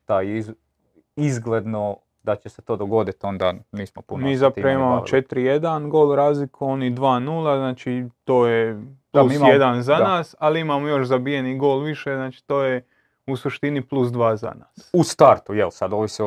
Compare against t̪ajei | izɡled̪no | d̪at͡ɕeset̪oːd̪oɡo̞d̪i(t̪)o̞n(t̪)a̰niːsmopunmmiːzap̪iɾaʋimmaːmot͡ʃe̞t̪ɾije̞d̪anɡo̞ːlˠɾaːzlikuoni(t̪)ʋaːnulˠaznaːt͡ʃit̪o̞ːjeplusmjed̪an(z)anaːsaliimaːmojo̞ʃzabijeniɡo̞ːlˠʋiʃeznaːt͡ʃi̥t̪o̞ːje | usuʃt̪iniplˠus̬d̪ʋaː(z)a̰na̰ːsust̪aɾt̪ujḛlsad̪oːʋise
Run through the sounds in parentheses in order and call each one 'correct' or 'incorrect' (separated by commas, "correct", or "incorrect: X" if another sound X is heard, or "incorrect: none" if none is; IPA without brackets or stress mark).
correct, incorrect: d̪, incorrect: d̪, correct, correct